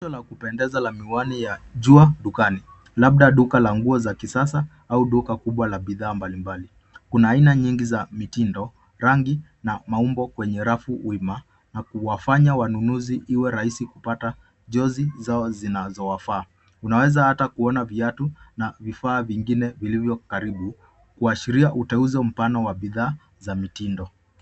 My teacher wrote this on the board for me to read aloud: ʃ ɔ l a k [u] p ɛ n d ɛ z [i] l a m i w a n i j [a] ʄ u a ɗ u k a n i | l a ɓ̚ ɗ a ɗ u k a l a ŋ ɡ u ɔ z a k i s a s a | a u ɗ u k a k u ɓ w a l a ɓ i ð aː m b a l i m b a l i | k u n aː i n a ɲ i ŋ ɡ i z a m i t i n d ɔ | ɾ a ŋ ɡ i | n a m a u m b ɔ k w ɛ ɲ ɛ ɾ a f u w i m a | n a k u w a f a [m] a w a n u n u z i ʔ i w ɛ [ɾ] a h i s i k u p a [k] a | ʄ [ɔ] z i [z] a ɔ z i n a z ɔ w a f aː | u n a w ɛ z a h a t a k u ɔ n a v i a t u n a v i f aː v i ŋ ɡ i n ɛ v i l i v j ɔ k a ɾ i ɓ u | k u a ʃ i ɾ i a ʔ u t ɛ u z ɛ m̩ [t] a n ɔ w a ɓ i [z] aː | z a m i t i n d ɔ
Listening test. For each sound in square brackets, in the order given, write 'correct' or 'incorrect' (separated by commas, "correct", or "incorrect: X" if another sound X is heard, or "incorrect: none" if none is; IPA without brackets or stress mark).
correct, incorrect: a, correct, incorrect: ɲ, correct, incorrect: t, correct, correct, incorrect: p, incorrect: ð